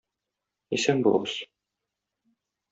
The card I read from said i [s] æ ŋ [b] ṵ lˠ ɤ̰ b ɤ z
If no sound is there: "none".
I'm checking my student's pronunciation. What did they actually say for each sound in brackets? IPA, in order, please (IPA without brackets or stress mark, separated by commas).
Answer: s, b